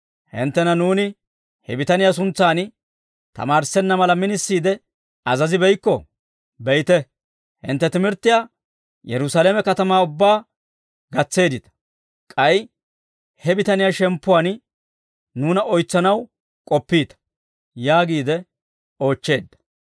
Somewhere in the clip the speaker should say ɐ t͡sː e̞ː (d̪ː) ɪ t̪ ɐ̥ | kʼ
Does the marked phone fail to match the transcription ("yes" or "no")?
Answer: yes